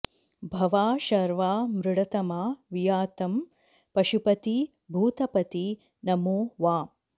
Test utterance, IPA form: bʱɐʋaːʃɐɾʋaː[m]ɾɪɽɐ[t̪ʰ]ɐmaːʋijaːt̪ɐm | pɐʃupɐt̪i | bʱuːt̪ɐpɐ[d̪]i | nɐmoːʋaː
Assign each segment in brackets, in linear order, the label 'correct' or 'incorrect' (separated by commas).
correct, incorrect, incorrect